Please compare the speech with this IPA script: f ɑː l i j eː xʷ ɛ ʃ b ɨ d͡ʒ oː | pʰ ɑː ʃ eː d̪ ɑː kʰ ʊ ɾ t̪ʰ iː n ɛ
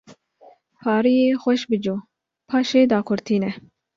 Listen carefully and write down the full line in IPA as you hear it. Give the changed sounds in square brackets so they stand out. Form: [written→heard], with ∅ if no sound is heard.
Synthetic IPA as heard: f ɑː [l→ɾ] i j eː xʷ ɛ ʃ b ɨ d͡ʒ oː | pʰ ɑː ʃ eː d̪ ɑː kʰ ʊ ɾ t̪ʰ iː n ɛ

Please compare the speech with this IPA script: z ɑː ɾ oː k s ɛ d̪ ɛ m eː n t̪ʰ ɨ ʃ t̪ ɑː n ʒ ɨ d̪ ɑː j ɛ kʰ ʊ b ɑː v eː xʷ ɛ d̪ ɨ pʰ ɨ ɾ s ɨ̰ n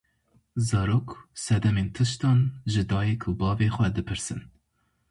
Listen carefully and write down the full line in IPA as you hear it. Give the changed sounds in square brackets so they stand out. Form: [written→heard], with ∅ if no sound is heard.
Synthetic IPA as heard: z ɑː ɾ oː k s ɛ d̪ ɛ m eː n t̪ʰ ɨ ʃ t̪ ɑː n ʒ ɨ d̪ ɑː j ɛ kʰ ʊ b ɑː v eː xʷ ɛ d̪ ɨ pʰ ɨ ɾ s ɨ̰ n

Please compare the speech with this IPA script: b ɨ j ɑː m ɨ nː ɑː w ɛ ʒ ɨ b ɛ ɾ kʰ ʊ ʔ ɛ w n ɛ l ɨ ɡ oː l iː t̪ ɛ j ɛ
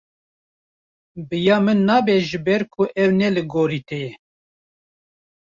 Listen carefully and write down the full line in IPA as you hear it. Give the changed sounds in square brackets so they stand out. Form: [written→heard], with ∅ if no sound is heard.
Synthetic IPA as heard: b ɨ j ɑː m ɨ nː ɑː [w→b] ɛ ʒ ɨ b ɛ ɾ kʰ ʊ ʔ ɛ w n ɛ l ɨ ɡ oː [l→ɾ] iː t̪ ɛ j ɛ

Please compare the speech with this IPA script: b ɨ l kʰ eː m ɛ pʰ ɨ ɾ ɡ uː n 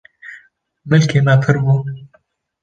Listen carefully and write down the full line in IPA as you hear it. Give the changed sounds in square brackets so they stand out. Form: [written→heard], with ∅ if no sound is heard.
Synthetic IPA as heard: [b→m] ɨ l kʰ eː m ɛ pʰ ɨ ɾ [ɡ→b] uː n

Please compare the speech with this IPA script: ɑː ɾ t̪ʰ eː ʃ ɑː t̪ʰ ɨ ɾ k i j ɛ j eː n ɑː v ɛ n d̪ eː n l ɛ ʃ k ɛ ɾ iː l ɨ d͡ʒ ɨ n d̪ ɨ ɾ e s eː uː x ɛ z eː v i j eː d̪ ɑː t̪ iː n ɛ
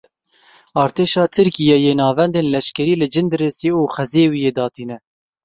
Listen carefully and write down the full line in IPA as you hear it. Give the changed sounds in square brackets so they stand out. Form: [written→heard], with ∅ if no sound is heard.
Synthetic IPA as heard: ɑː ɾ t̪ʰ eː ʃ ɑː t̪ʰ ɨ ɾ k i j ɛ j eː n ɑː v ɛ n d̪ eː n l ɛ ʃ k ɛ ɾ iː l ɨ d͡ʒ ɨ n d̪ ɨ ɾ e s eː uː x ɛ z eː [v→w] i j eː d̪ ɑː t̪ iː n ɛ

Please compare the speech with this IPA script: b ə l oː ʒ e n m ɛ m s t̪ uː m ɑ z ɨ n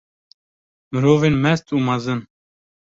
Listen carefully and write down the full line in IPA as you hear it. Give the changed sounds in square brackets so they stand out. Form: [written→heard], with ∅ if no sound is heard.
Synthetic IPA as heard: [b→m] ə [l→ɾ] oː [ʒ→v] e n m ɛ [m→∅] s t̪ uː m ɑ z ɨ n

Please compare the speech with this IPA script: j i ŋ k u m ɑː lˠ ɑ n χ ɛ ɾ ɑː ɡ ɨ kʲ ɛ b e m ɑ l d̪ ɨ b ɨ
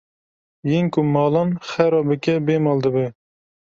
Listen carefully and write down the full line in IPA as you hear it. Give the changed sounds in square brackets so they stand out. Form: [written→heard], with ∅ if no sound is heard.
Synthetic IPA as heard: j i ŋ k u m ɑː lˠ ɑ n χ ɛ ɾ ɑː [ɡ→b] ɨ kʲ ɛ b e m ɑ l d̪ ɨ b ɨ

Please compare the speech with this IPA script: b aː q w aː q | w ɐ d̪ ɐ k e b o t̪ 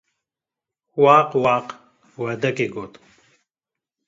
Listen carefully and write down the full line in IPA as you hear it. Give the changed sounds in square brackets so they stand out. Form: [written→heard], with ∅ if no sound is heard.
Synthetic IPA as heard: [b→w] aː q w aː q | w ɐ d̪ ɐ k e [b→ɡ] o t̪

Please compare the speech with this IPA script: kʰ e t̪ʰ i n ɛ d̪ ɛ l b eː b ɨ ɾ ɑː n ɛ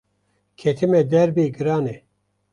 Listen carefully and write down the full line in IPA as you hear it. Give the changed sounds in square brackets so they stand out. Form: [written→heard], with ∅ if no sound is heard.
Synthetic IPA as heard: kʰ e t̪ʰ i [n→m] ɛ d̪ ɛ [l→ɾ] b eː [b→ɡ] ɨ ɾ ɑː n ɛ

